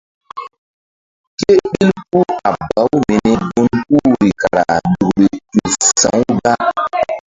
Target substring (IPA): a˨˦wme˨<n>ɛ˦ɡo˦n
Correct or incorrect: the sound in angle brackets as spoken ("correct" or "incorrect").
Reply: correct